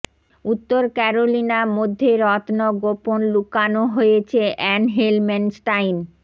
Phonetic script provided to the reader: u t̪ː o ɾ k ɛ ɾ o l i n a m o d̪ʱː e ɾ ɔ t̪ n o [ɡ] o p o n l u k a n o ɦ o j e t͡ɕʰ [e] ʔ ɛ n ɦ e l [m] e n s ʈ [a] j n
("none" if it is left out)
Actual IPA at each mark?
ɡ, e, m, a

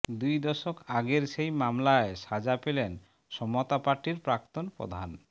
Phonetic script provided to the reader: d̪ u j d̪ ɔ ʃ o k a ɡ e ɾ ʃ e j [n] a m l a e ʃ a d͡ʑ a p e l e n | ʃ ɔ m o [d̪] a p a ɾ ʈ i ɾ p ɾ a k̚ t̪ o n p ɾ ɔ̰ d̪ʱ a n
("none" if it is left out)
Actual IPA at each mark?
m, t̪

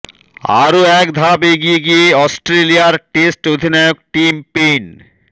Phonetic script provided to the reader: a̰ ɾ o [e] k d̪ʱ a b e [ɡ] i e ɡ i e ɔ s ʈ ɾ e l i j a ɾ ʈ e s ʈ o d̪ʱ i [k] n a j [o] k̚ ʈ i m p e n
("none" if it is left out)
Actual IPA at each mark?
ɛ, ɡ, none, o

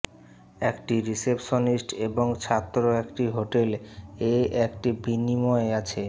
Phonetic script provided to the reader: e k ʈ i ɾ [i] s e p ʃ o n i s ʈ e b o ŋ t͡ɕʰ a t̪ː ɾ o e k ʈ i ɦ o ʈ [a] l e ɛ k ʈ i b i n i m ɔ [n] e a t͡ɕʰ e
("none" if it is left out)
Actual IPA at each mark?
i, e, none

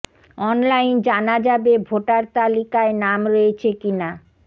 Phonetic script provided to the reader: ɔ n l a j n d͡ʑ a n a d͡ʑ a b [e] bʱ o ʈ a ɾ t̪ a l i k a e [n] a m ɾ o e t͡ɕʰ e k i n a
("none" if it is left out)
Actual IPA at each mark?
e, n

